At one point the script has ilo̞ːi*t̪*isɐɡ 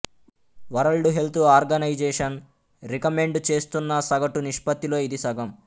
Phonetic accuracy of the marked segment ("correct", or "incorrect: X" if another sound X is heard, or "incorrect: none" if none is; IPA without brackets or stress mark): incorrect: d̪